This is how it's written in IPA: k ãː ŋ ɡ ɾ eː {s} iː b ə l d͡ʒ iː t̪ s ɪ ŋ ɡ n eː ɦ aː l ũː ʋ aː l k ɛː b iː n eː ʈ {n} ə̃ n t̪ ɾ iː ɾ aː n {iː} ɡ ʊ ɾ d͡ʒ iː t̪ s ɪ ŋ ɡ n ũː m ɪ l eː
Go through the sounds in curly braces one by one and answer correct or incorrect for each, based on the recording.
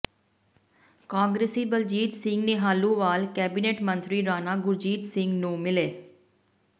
correct, incorrect: m, incorrect: aː

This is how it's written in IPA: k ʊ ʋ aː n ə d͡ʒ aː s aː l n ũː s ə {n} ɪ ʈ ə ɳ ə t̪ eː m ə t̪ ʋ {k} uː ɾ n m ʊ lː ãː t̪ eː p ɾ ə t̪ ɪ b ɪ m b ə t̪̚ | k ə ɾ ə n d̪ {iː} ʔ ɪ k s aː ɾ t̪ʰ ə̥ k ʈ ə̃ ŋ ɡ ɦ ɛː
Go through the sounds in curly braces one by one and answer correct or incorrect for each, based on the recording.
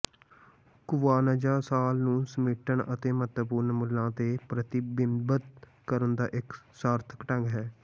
incorrect: m, incorrect: p, incorrect: aː

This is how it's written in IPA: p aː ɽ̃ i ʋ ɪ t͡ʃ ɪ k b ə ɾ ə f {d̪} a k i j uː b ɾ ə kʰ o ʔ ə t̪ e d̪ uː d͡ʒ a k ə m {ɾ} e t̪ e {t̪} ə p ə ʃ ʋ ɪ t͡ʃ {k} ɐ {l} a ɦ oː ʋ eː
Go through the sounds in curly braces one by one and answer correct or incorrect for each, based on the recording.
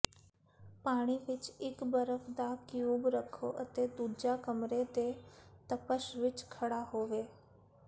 correct, correct, correct, incorrect: kʰ, incorrect: ɽ

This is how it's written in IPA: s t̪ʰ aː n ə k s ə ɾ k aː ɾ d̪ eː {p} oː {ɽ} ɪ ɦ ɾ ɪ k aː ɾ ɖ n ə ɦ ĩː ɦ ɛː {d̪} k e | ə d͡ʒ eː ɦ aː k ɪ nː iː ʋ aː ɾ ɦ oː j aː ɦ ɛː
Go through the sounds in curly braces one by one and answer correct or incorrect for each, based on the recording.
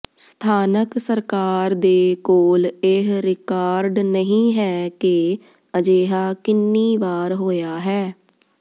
incorrect: k, incorrect: l, incorrect: none

